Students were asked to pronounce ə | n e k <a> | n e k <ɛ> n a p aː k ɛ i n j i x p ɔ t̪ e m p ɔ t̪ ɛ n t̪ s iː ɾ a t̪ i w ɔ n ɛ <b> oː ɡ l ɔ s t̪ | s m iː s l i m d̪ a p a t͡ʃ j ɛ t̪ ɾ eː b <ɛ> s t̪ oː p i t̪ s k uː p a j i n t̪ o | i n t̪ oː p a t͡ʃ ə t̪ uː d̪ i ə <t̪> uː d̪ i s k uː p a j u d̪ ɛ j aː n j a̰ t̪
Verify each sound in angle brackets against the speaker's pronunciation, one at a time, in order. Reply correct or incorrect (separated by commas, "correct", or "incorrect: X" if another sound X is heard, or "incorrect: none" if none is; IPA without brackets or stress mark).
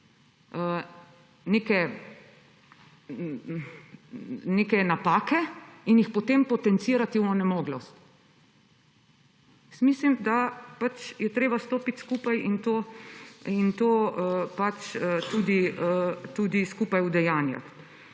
incorrect: ɛ, correct, incorrect: m, incorrect: a, correct